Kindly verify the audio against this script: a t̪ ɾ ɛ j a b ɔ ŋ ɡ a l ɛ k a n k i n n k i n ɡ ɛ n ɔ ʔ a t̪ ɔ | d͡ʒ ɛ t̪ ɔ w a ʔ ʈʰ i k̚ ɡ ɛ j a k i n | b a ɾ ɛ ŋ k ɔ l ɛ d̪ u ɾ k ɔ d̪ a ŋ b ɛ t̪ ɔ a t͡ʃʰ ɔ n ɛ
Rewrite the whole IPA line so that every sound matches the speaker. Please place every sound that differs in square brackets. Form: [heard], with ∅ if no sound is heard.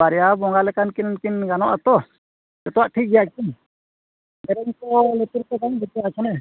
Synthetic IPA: a [∅] ɾ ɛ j a b ɔ ŋ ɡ a l ɛ k a n k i n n k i n ɡ [a] n ɔ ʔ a t̪ ɔ | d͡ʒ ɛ t̪ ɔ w a ʔ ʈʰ i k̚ ɡ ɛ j a k i n | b [ɛ] ɾ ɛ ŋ k ɔ l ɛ [t̪] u ɾ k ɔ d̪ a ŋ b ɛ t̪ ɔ a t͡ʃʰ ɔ n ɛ